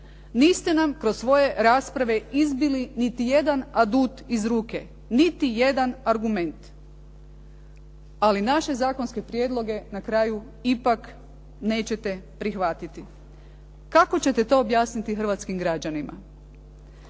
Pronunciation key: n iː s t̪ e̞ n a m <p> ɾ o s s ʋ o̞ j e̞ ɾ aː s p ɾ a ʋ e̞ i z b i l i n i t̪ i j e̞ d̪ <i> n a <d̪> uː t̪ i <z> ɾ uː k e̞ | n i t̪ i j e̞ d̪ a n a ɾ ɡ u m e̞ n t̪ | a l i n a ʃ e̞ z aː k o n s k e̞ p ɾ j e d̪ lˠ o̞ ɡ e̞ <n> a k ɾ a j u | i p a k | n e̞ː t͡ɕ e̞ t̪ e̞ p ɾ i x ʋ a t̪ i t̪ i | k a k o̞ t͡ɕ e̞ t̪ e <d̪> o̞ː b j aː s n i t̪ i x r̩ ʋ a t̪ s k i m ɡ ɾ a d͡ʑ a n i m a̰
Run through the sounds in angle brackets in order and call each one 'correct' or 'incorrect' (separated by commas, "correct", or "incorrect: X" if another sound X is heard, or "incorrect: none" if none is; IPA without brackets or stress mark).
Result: incorrect: k, incorrect: a, correct, correct, correct, incorrect: t̪